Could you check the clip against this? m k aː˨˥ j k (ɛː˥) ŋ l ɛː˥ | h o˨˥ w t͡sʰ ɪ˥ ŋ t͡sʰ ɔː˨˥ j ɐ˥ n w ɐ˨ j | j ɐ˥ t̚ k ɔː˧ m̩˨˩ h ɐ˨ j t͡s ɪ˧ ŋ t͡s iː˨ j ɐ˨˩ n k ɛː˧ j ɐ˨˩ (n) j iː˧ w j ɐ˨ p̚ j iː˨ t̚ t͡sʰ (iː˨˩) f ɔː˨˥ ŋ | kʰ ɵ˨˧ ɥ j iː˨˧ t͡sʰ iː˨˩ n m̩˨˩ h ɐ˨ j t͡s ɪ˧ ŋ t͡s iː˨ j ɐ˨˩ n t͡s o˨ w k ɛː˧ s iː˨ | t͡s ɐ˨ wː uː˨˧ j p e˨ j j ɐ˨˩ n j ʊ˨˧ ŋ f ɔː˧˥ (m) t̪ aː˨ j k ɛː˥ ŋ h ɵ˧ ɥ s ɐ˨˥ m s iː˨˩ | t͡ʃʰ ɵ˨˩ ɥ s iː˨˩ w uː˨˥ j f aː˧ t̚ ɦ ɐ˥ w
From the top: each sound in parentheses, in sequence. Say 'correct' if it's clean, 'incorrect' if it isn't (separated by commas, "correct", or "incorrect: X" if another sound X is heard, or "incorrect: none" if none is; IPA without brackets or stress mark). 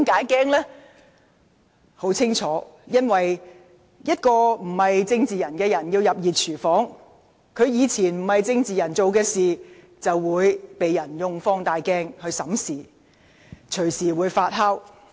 correct, correct, incorrect: yː˨˩, incorrect: ŋ